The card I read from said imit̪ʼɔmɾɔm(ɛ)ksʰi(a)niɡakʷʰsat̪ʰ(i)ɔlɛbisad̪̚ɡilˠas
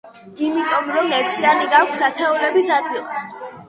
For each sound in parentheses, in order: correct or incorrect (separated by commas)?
correct, correct, incorrect